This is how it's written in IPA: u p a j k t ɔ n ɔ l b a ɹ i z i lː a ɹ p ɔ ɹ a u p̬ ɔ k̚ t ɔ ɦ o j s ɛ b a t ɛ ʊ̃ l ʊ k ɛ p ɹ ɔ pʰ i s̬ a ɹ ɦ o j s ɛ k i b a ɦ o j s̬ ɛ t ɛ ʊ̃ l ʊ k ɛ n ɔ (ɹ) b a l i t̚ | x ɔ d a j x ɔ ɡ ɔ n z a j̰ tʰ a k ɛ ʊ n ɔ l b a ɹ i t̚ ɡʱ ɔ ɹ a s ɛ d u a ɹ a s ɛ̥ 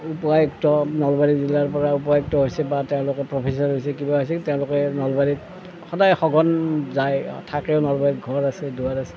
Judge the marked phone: incorrect: l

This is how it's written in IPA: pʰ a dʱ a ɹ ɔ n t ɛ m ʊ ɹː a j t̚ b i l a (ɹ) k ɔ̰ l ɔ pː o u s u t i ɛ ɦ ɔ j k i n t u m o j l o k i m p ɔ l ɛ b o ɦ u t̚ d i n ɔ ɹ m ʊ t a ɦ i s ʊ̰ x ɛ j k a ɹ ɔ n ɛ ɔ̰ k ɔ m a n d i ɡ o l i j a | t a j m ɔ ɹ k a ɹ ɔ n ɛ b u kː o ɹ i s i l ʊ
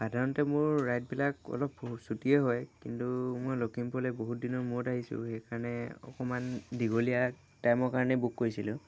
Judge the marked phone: incorrect: none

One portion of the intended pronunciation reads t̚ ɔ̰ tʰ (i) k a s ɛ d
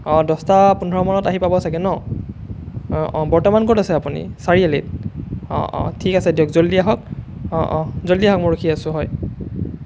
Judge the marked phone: correct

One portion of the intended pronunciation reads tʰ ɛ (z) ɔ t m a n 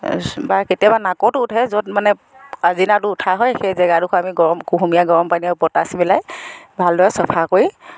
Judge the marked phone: correct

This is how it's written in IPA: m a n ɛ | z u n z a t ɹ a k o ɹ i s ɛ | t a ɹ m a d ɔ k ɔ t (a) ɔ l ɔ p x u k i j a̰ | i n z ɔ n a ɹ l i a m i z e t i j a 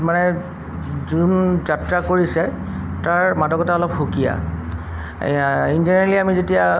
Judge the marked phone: correct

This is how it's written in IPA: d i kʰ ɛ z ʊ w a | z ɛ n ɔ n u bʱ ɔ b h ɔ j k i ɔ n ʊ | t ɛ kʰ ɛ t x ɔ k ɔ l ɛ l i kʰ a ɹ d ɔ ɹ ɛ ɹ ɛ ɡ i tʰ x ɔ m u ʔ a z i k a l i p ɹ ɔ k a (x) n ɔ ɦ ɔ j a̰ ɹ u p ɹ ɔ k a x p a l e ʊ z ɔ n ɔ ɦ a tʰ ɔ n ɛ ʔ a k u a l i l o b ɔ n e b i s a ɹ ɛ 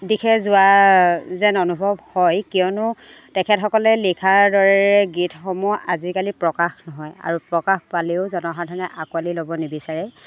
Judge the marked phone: correct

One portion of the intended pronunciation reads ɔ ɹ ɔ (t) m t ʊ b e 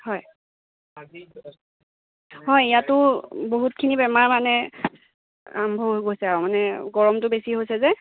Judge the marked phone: incorrect: none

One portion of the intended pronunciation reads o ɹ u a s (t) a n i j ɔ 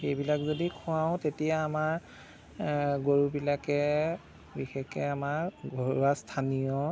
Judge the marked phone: incorrect: tʰ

